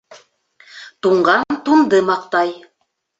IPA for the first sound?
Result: t̪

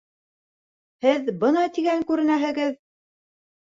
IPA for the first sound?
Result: h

